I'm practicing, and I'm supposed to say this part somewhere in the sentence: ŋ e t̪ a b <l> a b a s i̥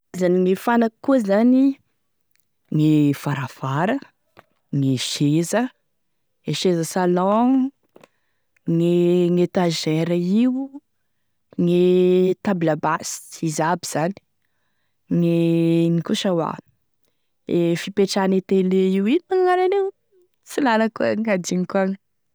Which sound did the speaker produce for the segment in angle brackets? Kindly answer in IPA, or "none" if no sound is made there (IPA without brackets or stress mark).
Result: l